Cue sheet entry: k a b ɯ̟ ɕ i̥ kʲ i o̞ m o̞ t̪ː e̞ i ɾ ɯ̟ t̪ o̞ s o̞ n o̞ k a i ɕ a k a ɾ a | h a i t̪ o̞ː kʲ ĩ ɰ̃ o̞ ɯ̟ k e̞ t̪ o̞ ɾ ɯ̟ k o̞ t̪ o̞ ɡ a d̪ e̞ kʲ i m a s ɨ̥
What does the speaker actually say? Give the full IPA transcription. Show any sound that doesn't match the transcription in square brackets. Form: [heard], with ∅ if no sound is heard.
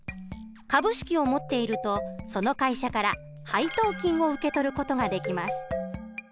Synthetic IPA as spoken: k a b ɯ̟ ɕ i̥ kʲ i o̞ m o̞ t̪ː e̞ i ɾ ɯ̟ t̪ o̞ s o̞ n o̞ k a i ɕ a k a ɾ a | h a i t̪ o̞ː kʲ ĩ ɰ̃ o̞ ɯ̟ k e̞ t̪ o̞ ɾ ɯ̟ k o̞ t̪ o̞ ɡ a d̪ e̞ kʲ i m a s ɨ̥